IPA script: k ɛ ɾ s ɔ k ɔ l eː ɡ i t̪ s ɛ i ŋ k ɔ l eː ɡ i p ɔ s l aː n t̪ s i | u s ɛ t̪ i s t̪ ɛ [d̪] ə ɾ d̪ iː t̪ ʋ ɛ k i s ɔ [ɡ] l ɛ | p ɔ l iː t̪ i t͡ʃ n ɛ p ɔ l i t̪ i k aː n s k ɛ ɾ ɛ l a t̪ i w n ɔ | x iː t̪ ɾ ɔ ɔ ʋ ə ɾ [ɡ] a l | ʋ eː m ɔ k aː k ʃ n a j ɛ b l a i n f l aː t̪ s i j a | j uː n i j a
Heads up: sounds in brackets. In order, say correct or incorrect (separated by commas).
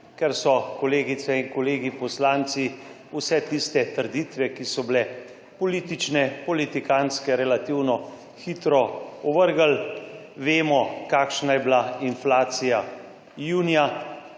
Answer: incorrect, incorrect, correct